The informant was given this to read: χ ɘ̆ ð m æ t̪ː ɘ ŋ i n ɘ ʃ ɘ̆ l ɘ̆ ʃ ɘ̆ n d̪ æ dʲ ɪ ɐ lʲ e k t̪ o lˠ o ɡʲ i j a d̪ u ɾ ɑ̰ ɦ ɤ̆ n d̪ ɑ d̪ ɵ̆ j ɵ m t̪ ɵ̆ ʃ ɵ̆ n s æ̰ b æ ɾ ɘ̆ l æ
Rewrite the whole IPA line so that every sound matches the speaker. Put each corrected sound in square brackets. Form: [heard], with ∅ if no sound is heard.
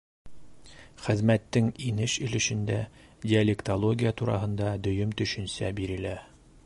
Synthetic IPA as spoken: χ ɘ̆ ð m æ t̪ː ɘ ŋ i n ɘ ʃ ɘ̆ l ɘ̆ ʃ ɘ̆ n d̪ æ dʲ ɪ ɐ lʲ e k t̪ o lˠ o ɡʲ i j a [t̪] u ɾ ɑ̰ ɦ ɤ̆ n d̪ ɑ d̪ ɵ̆ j ɵ m t̪ ɵ̆ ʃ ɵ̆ n s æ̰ b [i] ɾ ɘ̆ l æ